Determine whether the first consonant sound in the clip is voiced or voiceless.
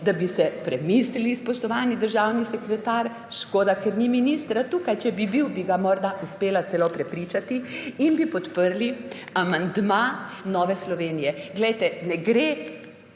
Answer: voiced